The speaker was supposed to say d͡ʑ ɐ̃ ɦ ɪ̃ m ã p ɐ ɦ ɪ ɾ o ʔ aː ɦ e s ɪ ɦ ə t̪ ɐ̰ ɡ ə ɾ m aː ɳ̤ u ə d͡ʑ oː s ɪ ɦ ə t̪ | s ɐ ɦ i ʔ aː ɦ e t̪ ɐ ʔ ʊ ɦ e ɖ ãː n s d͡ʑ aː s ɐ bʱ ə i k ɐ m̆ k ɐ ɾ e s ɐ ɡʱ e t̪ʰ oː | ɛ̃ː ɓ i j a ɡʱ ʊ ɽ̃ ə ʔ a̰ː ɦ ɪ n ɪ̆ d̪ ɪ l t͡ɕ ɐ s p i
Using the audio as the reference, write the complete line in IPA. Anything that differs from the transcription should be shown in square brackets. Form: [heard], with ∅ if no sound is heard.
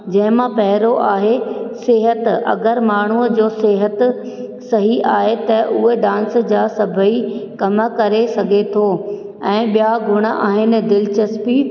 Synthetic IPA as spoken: d͡ʑ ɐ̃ ɦ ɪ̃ m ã p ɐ ɦ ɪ ɾ o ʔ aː ɦ e s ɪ ɦ ə t̪ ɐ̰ ɡ ə ɾ m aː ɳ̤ u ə d͡ʑ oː s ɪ ɦ ə t̪ | s ɐ ɦ i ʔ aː ɦ e t̪ ɐ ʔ ʊ ɦ e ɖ ãː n s d͡ʑ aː s ɐ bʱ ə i k ɐ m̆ k ɐ ɾ e s ɐ ɡʱ e t̪ʰ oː | ɛ̃ː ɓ i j a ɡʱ ʊ ɽ̃ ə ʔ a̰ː ɦ ɪ n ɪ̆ d̪ ɪ l t͡ɕ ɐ s p i